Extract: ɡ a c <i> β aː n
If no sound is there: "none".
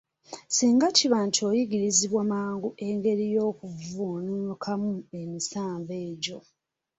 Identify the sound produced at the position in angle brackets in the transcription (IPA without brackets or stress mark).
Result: i